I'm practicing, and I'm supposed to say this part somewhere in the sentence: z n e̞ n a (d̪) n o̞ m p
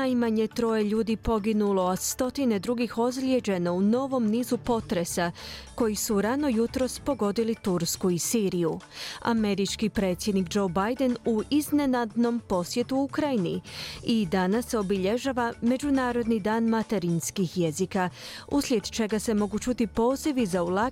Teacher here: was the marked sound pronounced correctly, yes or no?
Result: yes